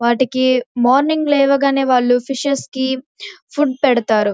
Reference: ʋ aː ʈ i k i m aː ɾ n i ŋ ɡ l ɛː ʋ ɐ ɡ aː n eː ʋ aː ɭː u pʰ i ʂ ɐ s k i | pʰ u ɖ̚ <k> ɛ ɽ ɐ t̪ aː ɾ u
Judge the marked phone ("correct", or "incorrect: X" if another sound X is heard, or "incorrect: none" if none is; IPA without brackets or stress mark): incorrect: p